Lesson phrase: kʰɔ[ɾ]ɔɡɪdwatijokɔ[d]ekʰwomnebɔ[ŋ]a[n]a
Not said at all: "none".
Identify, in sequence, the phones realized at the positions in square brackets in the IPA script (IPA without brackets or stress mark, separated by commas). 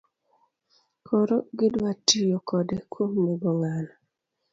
ɾ, d, ŋ, n